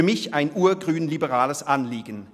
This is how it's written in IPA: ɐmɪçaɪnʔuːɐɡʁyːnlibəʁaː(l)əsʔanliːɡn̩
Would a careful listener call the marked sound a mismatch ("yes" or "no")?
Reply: no